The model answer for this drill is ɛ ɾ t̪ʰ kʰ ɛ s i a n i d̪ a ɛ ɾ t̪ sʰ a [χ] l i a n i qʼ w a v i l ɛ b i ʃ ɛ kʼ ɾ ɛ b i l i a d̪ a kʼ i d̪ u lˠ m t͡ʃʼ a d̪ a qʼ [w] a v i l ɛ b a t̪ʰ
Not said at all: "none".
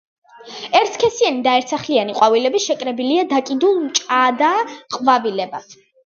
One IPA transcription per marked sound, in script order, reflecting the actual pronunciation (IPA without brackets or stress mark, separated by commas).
χ, v